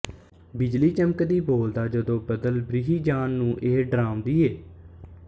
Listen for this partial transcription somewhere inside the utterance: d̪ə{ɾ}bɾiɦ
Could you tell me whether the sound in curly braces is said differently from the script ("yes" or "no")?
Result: yes